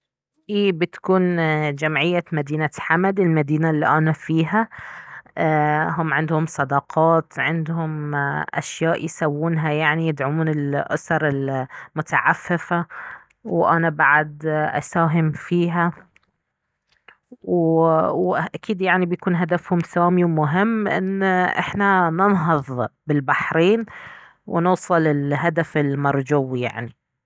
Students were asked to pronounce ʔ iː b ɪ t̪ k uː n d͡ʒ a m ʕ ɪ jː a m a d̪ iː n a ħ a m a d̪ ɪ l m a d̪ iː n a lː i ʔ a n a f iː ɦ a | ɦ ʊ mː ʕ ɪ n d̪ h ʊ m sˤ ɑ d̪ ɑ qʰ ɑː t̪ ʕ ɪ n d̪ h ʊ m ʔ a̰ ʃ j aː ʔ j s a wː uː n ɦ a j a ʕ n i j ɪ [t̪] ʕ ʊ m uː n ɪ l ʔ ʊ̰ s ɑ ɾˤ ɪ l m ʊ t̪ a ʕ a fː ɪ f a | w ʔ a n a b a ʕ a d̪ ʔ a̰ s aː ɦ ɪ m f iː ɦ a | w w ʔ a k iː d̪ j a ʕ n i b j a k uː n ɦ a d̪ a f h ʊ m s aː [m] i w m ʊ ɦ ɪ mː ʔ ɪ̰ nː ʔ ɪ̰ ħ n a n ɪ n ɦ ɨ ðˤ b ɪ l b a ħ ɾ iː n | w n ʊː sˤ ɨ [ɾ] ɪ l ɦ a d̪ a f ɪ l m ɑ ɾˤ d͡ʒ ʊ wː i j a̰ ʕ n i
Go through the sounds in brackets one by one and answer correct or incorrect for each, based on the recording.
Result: incorrect, correct, incorrect

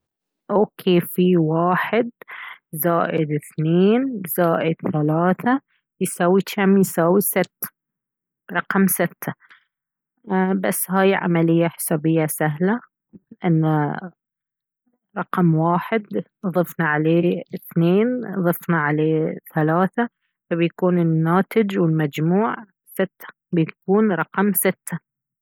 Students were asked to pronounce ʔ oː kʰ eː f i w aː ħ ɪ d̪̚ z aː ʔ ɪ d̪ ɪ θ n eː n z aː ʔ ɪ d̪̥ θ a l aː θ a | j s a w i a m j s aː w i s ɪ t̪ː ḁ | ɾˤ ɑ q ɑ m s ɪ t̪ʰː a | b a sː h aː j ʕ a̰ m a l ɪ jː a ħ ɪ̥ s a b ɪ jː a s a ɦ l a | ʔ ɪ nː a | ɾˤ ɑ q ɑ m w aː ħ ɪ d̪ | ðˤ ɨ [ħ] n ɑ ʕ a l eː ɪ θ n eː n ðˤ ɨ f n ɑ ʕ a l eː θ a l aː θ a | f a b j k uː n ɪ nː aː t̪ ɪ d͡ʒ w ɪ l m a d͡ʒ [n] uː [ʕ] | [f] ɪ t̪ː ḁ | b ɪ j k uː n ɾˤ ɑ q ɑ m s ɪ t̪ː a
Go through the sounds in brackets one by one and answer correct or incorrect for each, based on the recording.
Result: incorrect, incorrect, correct, incorrect

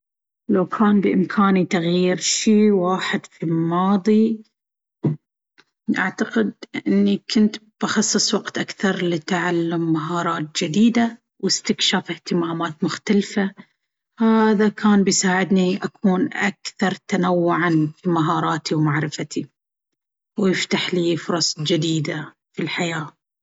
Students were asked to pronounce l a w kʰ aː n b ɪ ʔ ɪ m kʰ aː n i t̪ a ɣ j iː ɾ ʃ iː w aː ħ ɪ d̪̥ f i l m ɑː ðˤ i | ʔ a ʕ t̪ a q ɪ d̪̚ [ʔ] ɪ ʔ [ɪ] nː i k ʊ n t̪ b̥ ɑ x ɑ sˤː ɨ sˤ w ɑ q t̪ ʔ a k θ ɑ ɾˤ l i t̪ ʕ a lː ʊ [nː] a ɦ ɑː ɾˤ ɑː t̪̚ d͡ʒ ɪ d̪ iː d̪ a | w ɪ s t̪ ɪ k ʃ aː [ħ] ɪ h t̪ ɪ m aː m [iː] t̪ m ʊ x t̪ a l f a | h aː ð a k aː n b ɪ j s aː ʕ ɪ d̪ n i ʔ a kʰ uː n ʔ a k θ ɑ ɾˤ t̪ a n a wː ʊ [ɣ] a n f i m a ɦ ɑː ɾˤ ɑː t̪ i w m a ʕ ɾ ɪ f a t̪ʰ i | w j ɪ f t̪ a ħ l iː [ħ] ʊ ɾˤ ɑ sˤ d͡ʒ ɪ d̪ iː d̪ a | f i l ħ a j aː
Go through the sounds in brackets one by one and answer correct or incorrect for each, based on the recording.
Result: correct, correct, incorrect, incorrect, incorrect, incorrect, incorrect

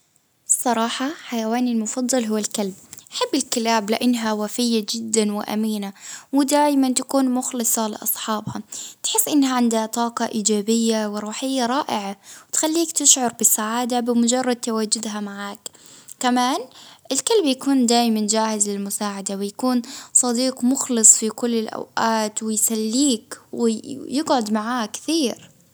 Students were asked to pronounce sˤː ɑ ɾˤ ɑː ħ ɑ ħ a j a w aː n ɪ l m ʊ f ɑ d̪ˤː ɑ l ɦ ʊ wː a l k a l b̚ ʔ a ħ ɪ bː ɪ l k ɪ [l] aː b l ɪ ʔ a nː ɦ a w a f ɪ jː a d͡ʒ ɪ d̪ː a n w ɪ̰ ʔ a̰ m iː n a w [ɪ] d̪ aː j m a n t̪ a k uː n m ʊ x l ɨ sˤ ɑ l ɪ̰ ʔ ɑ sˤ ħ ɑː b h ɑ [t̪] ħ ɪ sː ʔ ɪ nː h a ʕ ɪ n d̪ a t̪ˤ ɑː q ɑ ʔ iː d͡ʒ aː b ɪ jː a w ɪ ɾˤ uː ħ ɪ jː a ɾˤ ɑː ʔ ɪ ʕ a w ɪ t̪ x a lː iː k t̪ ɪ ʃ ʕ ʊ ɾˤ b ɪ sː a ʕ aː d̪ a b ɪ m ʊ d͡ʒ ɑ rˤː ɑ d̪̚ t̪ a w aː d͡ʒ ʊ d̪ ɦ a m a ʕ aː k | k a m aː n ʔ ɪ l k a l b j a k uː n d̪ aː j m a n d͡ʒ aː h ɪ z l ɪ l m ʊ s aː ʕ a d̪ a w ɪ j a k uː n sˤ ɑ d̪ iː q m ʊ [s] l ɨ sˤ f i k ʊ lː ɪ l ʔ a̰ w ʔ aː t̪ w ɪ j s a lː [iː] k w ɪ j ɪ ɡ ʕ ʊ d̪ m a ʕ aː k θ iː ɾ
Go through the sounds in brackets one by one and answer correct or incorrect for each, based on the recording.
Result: correct, correct, correct, incorrect, correct

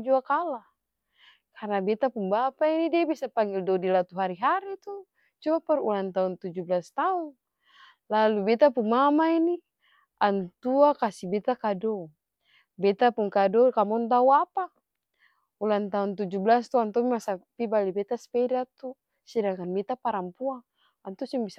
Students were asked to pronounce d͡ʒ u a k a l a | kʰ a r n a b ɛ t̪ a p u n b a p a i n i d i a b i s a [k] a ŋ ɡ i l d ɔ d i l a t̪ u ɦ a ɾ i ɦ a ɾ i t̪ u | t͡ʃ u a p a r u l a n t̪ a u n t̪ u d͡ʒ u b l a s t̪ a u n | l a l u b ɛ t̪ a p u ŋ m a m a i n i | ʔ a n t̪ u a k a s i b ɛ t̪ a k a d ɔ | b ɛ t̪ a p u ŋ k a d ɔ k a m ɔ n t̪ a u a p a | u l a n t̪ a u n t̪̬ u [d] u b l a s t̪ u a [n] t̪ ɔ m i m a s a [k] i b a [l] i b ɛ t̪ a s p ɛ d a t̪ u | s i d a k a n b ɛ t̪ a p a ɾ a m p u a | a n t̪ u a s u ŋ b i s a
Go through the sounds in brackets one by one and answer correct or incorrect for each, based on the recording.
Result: incorrect, incorrect, correct, incorrect, correct

